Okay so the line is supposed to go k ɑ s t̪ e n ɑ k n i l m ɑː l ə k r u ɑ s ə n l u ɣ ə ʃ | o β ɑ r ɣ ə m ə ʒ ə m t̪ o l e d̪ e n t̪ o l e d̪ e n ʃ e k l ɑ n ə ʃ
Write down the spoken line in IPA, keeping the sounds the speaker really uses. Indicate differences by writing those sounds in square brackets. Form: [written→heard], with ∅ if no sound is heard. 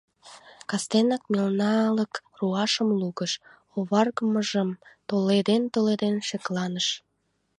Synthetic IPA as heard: k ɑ s t̪ e n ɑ k [n→m] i l [m→n] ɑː l ə k r u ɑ [s→ʃ] ə [n→m] l u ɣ ə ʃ | o β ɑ r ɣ ə m ə ʒ ə m t̪ o l e d̪ e n t̪ o l e d̪ e n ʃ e k l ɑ n ə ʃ